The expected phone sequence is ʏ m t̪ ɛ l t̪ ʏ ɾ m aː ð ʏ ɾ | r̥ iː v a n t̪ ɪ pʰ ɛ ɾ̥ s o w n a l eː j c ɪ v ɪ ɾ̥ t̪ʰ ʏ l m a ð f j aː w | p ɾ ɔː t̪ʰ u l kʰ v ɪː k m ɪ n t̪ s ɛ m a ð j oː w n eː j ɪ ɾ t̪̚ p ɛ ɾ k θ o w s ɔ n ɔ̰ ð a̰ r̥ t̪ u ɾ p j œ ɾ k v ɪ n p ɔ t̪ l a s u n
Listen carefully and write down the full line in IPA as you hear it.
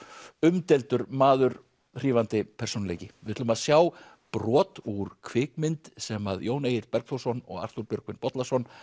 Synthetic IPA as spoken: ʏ m t̪ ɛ l t̪ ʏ ɾ m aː ð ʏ ɾ | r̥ iː v a n t̪ ɪ pʰ ɛ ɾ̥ s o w n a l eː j c ɪ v ɪ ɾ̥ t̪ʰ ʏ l m a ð s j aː w | p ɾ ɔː t̪ u ɾ kʰ v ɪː k m ɪ n t̪ s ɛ m a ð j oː w n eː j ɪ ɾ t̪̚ p ɛ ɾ k θ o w s ɔ n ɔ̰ ɣ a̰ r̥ t̪ u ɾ p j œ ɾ k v ɪ n p ɔ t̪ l a s ɔ n

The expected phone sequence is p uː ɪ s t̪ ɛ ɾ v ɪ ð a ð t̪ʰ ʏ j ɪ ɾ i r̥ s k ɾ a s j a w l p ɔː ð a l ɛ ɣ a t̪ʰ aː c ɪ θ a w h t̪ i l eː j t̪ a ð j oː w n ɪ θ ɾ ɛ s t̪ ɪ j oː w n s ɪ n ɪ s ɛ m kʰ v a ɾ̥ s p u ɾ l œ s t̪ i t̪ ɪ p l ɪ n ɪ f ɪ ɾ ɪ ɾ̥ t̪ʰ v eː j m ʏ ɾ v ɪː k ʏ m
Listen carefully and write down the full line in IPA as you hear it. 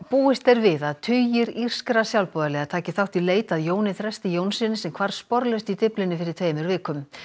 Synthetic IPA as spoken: p uː ɪ s t̪ ɛ ɾ v ɪ ð a ð t̪ʰ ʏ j ɪ ɾ i r̥ s k ɾ a s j a w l p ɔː ð a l ɛ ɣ a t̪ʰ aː c ɪ θ a w h t̪ i l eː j t̪ a ð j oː w n ɪ θ ɾ ɛ s t̪ ɪ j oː w n s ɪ n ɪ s ɛ m kʰ v a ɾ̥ s p ɔ ɾ l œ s t̪ i t̪ ɪ p l ɪ n ɪ f ɪ ɾ ɪ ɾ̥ t̪ʰ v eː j m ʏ ɾ v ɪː k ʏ m

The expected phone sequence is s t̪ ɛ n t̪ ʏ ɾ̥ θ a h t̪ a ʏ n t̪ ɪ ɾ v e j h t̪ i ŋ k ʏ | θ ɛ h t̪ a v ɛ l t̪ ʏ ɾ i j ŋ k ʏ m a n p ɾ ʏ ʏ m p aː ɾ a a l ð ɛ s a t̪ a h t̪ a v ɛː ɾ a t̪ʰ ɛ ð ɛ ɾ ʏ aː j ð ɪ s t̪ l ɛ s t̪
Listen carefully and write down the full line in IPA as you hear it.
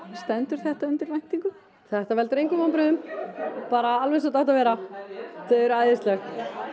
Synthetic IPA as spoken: s t̪ ɛ n t̪ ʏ ɾ̥ θ ɛ h t̪ a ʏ n t̪ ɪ ɾ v a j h t̪ i ŋ k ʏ | θ ɛ h t̪ a v ɛ l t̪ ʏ ɾ e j ŋ k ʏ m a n p ɾ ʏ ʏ m p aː ɾ a a l v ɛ s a t̪ a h t̪ a v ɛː ɾ a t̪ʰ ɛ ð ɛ ɾ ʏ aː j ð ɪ s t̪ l ɛ x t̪

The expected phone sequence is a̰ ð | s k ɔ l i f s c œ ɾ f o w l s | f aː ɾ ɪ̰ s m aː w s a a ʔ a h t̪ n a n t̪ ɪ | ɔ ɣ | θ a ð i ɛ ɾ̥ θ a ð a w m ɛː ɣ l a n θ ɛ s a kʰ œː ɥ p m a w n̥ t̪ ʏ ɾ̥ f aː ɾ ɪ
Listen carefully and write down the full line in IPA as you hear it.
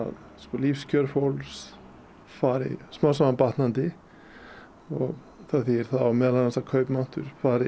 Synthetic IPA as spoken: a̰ ð | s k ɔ l i f s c œ ɾ f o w l s | f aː ɾ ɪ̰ s m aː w s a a p a h t̪ n a n t̪ ɪ | ɔ ɣ | θ a θ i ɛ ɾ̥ θ a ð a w m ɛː ð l a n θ ɛ s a kʰ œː ɥ p m a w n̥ t̪ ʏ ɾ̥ f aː ɾ ɪ

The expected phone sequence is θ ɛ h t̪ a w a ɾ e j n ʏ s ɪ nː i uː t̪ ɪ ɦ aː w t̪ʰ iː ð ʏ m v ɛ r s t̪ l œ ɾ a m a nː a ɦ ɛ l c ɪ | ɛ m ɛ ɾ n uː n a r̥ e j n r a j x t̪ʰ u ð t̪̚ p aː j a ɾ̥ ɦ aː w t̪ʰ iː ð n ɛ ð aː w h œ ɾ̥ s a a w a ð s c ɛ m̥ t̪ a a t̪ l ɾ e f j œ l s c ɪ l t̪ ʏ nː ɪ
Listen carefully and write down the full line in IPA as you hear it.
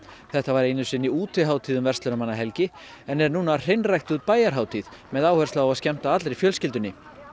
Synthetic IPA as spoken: θ ɛ h t̪ a v a ɾ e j n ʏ s ɪ nː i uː t̪ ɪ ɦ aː w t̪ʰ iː ð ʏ m v ɛ r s t̪ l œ ɾ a m a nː a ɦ ɛ l c ɪ | ɛ n ɛ ɾ n uː n a r̥ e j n r a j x t̪ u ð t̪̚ p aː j a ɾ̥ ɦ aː w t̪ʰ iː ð m ɛ ð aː w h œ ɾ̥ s a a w a ð s c ɛ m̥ t̪ a a t̪ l ɾ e f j œ l s c ɪ l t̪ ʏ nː ɪ

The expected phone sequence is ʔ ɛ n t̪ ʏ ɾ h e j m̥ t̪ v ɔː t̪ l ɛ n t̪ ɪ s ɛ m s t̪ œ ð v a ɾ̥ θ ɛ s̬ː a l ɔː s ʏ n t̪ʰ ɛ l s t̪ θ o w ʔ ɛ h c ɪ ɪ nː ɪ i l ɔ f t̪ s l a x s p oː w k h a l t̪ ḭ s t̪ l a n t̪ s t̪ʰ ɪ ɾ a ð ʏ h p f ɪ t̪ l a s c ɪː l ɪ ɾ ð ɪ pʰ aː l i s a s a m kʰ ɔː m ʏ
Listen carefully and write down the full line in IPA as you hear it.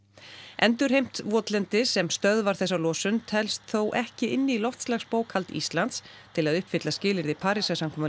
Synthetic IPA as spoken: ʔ ɛ n t̪ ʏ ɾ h e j m̥ t̪ v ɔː t̪ l ɛ n t̪ ɪ s ɛ m s t̪ œ ð v a ɾ̥ θ ɛ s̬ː a l ɔː s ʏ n t̪ʰ ɛ l s t̪ θ o w ʔ ɛ h c ɪ ɪ nː ɪ i l ɔ f t̪ s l a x s p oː w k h a l t̪ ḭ s t̪ l a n t̪ s t̪ʰ ɪ l a ð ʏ h p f ɪ t̪ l a s c ɪː l ɪ ɾ ð ɪ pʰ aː ɾ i s a s a m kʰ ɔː m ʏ

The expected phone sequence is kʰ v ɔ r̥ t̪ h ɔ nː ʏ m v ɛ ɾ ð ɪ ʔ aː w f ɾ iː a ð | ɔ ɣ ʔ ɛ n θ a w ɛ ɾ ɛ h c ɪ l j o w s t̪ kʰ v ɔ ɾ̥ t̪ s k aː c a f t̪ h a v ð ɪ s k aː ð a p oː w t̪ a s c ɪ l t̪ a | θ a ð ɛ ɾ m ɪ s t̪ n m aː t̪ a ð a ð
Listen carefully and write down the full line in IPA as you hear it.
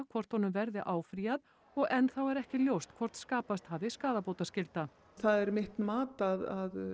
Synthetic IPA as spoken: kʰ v ɔ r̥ t̪ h ɔ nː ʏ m v ɛ ɾ ð ɪ ʔ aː w f ɾ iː a ð | ɔ ɣ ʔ ɛ n θ a w ɛ ɾ ɛ h c ɪ l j o w s t̪ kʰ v ɔ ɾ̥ t̪ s k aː p a s t̪ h a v ð ɪ s k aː ð a p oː w t̪ a s c ɪ l t̪ a | θ a ð ɛ ɾ m ɪ h t̪ n m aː t̪ a ð a ð

